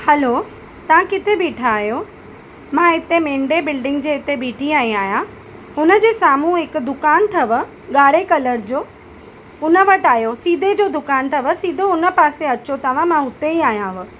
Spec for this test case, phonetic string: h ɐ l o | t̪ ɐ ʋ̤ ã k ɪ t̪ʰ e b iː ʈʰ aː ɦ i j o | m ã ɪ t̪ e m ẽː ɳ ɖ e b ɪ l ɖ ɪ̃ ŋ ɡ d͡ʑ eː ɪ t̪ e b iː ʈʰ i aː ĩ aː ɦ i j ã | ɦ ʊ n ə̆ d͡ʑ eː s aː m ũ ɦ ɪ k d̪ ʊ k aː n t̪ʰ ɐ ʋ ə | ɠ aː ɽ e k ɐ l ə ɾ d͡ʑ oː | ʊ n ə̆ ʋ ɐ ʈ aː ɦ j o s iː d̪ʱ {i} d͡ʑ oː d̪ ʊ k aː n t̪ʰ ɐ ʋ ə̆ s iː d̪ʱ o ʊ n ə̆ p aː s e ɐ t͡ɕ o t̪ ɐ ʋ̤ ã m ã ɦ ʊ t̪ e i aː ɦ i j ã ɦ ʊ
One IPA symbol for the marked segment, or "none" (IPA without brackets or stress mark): e